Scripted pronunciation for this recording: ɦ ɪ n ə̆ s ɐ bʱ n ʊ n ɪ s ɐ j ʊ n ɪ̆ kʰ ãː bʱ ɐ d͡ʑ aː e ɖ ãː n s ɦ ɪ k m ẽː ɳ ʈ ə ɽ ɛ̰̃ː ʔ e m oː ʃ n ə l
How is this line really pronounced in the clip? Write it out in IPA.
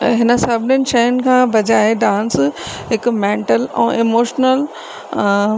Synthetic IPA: ɦ ɪ n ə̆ s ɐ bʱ n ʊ n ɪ ʃ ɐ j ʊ n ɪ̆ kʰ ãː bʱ ɐ d͡ʑ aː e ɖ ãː n s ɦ ɪ k m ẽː ɳ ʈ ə l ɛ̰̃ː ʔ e m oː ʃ n ə l